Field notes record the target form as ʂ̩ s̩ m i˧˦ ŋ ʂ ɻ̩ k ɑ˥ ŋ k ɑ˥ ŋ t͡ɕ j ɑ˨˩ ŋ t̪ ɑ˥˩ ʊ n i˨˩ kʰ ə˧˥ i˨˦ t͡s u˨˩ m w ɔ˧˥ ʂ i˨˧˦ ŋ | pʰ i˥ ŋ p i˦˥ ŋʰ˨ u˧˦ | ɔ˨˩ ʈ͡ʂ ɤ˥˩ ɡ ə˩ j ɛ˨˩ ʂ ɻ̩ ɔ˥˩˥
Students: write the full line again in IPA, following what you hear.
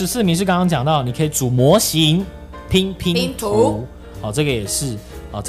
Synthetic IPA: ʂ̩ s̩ m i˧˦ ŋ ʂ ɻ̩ k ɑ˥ ŋ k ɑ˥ ŋ t͡ɕ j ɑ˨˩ ŋ t̪ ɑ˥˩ ʊ n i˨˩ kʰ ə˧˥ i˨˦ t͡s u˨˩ m w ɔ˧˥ ɕ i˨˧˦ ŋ | pʰ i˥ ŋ pʰ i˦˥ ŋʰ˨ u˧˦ | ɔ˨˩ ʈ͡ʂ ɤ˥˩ ɡ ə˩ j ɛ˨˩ ʂ ɻ̩ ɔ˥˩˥